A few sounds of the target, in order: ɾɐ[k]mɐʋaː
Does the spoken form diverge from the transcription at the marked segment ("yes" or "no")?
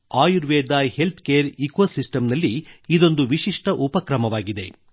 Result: yes